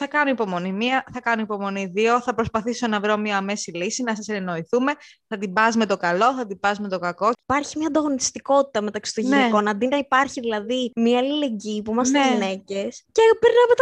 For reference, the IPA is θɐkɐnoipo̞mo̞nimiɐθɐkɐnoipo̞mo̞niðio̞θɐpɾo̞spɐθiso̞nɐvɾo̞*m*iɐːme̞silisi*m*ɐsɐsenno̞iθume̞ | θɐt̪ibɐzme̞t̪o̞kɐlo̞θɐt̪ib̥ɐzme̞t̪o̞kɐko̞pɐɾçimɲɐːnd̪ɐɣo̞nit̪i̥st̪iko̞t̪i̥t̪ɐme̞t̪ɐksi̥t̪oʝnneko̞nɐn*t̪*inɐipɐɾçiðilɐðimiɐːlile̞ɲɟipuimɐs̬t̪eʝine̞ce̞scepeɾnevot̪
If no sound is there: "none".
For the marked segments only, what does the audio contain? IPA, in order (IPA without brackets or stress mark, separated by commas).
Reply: m, n, d̪